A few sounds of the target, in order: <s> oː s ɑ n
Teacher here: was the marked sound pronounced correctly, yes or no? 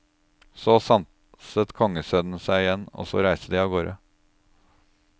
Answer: yes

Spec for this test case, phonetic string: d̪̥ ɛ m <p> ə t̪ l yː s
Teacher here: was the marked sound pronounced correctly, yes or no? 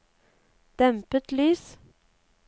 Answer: yes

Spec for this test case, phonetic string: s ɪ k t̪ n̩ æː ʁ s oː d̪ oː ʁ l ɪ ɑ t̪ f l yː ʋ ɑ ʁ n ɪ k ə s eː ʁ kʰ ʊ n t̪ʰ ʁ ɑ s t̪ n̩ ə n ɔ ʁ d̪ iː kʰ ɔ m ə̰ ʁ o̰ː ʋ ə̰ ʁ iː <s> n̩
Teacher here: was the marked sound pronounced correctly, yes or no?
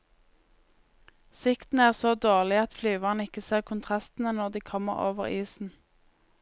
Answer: yes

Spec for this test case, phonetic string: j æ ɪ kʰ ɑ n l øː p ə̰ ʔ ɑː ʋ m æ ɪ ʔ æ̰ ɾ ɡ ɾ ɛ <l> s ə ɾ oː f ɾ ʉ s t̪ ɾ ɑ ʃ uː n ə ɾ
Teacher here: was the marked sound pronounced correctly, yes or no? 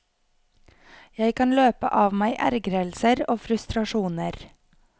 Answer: yes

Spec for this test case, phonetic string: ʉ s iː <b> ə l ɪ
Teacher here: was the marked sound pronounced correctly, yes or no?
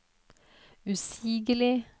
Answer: no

